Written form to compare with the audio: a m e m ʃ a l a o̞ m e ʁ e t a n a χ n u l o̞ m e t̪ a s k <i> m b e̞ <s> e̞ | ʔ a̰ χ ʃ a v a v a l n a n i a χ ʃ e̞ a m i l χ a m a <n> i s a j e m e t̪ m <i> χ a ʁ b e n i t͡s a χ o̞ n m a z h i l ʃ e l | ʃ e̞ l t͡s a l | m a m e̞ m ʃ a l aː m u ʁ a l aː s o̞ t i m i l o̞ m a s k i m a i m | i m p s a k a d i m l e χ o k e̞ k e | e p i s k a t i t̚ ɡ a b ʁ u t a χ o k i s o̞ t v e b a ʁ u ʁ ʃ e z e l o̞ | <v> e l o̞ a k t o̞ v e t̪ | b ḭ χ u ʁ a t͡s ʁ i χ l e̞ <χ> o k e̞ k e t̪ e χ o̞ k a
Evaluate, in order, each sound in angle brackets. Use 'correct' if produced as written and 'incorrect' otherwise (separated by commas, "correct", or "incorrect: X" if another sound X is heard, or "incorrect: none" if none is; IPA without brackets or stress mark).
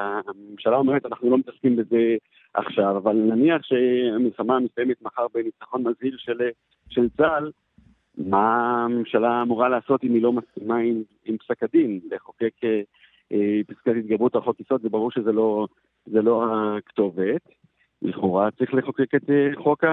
correct, incorrect: z, incorrect: m, incorrect: a, incorrect: z, correct